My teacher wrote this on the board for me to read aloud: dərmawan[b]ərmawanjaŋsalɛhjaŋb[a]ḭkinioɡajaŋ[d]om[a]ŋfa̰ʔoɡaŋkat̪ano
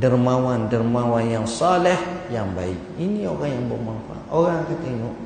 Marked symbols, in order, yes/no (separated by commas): no, yes, no, yes